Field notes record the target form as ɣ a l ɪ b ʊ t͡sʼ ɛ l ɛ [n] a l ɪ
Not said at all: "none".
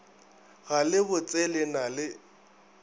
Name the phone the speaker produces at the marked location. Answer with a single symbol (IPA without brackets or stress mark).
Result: n